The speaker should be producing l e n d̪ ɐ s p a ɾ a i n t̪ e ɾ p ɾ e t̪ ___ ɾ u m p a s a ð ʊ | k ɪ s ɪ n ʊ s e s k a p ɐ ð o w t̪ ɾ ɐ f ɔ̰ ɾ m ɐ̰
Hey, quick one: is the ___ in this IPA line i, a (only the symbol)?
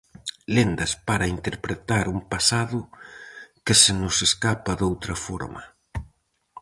a